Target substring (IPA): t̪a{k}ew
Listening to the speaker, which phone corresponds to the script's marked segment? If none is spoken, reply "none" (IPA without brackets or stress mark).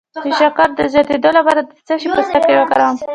k